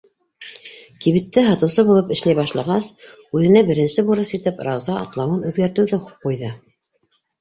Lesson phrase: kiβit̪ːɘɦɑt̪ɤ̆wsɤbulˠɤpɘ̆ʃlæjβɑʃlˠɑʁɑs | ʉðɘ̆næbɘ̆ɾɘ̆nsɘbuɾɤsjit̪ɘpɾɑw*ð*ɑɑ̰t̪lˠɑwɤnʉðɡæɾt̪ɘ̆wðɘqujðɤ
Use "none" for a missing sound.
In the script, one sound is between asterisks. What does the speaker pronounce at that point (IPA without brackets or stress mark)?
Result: z